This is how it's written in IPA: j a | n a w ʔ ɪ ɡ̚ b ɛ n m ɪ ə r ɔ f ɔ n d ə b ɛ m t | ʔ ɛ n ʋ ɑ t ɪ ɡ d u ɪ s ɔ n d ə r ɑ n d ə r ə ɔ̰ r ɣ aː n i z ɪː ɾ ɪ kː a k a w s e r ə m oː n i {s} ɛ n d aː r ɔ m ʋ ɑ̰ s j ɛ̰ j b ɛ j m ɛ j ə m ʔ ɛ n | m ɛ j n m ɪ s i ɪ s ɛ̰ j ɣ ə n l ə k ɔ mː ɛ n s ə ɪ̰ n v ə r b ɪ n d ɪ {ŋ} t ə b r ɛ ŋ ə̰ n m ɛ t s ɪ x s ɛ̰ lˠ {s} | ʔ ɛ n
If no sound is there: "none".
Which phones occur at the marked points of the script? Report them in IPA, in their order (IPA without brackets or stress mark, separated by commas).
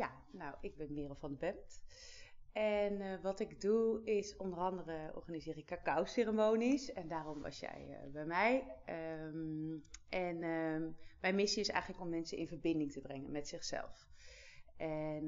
s, ŋ, f